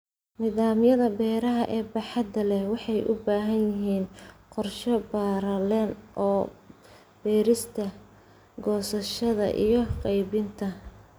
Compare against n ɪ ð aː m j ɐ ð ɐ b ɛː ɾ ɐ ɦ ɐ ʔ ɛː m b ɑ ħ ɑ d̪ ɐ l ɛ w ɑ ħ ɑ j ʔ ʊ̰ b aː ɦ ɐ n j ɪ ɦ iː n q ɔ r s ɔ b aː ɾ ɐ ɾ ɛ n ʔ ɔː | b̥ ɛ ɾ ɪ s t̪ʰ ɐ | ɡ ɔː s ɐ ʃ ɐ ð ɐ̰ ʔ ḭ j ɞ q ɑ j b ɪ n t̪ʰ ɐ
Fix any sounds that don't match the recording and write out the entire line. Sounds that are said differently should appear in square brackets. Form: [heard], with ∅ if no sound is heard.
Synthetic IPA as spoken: n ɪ ð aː m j ɐ ð ɐ b ɛː ɾ ɐ ɦ ɐ ʔ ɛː [∅] b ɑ ħ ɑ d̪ ɐ l ɛ w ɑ ħ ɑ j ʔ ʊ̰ b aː ɦ ɐ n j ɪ ɦ iː n q ɔ r [ʃ] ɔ b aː ɾ ɐ [l] ɛ n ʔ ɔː | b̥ [ɛː] ɾ ɪ s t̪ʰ ɐ | ɡ ɔː s ɐ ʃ ɐ ð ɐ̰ ʔ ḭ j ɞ q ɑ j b ɪ n t̪ʰ ɐ